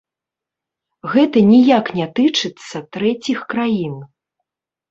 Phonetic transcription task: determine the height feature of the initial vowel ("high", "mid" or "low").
mid